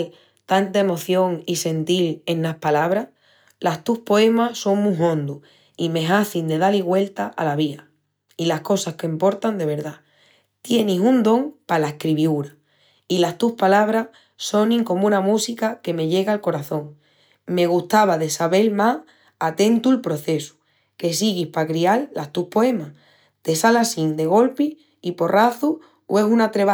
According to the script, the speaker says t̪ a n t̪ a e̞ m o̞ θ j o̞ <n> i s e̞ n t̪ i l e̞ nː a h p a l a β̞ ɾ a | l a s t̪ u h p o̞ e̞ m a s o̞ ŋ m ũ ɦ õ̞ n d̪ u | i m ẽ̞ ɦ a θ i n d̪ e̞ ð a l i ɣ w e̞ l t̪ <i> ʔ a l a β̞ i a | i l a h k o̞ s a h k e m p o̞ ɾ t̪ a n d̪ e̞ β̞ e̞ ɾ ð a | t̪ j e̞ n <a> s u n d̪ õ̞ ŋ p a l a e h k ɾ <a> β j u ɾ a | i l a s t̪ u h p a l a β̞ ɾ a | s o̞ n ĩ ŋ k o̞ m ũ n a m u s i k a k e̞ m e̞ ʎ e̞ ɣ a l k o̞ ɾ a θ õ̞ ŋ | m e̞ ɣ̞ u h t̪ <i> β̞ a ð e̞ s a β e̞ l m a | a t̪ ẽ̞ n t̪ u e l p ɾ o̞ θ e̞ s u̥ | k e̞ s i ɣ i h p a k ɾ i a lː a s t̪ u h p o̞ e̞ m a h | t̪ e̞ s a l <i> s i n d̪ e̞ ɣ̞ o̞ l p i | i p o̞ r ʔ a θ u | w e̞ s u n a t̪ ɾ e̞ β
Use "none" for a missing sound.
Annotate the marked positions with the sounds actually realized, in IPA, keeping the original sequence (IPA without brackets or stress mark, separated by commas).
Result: ŋ, a, i, i, a, a